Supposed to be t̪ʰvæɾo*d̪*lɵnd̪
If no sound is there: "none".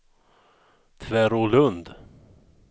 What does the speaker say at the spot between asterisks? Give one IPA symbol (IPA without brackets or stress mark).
none